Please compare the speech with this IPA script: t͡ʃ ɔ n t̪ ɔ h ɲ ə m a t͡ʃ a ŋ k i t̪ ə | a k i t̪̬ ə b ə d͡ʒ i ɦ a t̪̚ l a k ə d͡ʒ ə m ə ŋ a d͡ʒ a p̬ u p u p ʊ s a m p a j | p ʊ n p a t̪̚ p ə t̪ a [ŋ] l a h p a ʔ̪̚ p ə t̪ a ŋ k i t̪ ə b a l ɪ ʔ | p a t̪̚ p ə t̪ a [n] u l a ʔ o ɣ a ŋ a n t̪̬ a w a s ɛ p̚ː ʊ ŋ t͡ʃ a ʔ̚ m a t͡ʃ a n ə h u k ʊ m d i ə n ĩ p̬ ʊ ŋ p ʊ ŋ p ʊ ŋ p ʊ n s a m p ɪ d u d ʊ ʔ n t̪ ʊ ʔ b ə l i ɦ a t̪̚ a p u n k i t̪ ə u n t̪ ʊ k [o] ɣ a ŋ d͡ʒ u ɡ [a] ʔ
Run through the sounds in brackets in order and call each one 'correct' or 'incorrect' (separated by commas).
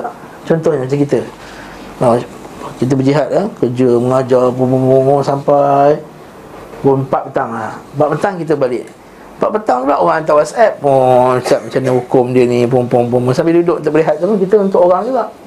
correct, incorrect, correct, correct